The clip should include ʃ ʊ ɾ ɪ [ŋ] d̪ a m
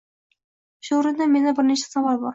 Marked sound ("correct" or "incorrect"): incorrect